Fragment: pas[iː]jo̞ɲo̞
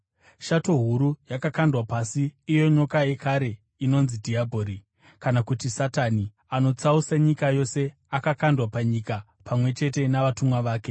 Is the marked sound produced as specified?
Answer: yes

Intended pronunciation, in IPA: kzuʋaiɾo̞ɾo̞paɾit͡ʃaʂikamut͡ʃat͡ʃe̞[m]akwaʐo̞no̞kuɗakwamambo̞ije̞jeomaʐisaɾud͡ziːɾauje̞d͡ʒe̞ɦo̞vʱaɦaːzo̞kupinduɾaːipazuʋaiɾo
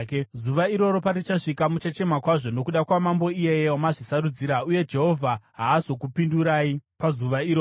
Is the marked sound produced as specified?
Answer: yes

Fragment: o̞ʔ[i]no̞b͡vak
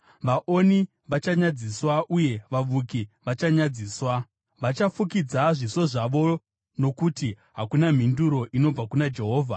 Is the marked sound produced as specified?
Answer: yes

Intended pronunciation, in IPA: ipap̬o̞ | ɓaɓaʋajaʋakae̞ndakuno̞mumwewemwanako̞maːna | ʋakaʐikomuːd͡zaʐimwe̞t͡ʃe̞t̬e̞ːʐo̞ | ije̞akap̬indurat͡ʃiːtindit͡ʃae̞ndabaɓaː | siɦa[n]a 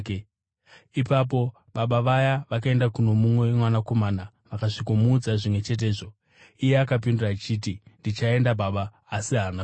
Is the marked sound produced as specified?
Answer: yes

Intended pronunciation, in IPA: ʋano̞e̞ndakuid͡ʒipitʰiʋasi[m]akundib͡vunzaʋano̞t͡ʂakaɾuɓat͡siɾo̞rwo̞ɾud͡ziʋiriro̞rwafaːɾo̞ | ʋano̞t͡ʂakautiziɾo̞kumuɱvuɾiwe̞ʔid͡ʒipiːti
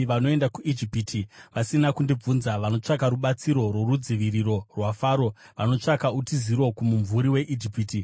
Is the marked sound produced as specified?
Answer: no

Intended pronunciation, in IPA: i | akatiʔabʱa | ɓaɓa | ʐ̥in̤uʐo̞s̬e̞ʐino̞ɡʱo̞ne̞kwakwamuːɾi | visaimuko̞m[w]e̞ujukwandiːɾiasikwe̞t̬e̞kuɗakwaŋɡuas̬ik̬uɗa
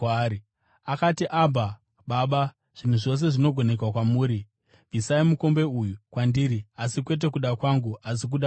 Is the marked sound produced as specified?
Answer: no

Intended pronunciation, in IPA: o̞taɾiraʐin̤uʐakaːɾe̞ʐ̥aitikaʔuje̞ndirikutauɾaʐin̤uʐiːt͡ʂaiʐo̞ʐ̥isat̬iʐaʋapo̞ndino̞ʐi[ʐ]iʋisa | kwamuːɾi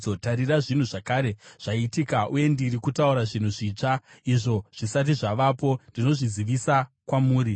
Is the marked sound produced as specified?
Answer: no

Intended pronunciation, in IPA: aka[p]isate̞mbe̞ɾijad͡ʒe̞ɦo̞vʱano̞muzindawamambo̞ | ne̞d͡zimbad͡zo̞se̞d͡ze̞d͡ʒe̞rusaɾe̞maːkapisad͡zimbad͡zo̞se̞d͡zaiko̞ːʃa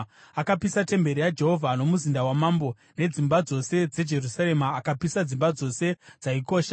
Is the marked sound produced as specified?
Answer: yes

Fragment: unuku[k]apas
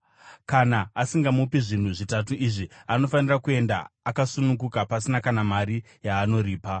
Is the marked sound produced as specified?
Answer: yes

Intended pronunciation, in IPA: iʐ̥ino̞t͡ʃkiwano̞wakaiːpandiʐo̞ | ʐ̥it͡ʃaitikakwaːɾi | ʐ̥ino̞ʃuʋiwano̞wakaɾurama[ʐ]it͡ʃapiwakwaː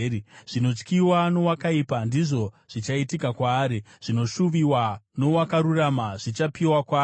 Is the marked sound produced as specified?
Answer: yes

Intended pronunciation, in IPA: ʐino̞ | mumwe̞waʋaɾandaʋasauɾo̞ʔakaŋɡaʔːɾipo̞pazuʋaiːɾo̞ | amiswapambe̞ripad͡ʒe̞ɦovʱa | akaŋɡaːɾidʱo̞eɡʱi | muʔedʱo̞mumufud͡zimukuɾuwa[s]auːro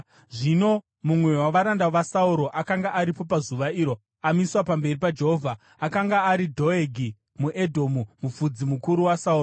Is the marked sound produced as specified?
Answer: yes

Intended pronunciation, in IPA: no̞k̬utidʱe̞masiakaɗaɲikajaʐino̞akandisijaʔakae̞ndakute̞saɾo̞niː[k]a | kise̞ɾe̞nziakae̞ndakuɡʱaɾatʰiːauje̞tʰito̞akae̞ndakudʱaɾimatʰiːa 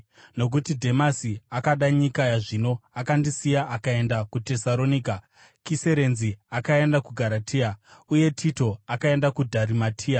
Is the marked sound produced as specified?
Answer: yes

